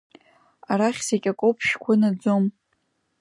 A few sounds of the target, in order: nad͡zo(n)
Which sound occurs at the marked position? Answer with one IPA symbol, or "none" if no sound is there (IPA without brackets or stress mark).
m